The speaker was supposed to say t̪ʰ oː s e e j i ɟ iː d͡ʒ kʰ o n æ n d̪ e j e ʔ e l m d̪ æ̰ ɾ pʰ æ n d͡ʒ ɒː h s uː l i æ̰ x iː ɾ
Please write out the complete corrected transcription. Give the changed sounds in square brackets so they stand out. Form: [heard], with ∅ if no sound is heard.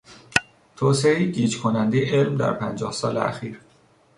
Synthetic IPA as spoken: t̪ʰ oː s e e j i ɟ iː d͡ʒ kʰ o n æ n d̪ e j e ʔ e l m d̪ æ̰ ɾ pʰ æ n d͡ʒ ɒː h s [ɒː] l [e] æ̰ x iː ɾ